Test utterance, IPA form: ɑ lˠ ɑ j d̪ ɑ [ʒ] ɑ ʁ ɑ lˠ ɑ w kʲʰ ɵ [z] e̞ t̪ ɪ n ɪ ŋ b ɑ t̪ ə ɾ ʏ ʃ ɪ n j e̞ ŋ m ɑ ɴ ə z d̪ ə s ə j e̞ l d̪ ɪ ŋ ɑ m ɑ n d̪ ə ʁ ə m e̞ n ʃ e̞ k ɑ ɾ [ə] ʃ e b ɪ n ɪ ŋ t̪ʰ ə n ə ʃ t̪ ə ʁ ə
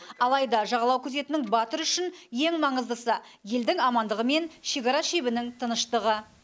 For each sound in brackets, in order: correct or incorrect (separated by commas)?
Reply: correct, correct, incorrect